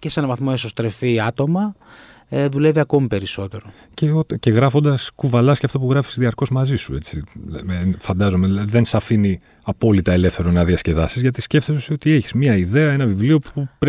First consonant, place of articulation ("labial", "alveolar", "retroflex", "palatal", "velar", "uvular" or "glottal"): palatal